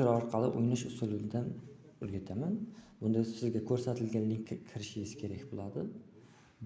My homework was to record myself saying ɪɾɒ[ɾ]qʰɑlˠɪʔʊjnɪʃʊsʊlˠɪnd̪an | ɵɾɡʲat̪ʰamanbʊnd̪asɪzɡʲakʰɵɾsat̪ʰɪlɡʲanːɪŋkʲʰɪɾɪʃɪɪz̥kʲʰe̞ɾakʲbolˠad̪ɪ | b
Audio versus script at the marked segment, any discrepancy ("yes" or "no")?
no